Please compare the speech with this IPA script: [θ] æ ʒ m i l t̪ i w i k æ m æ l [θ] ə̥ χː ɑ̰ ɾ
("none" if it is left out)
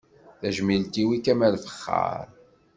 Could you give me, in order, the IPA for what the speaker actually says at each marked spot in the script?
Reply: θ, f

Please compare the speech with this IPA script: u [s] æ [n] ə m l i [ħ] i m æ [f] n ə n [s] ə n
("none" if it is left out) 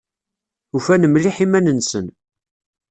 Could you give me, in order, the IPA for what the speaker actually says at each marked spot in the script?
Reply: f, n, ħ, none, s

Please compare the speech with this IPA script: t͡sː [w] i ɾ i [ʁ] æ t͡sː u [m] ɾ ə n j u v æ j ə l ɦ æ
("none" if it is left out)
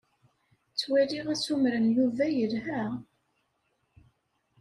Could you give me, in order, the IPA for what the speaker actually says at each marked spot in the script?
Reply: w, ʁ, m

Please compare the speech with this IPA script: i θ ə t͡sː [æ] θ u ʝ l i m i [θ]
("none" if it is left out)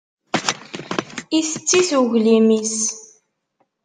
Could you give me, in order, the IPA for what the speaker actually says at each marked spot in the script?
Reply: i, s

